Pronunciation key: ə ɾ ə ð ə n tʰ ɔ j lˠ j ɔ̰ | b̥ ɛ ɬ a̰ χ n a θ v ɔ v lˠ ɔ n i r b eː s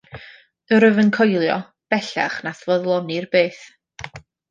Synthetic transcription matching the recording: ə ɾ ə v ə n kʰ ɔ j lˠ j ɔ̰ | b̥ ɛ ɬ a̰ χ n a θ v ɔ ð lˠ ɔ n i r b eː θ